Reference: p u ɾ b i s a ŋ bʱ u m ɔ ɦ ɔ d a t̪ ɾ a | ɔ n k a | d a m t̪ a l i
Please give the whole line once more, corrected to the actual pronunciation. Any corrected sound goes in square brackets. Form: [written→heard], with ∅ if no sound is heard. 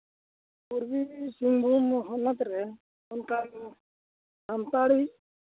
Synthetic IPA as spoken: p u ɾ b i s [a→i] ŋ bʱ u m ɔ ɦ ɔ [d→n] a t̪ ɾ [a→ɛ] | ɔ n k a | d a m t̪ a [l→ɽ] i